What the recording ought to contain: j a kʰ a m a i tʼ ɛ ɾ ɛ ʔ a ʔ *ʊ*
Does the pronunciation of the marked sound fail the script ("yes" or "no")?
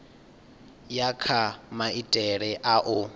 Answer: no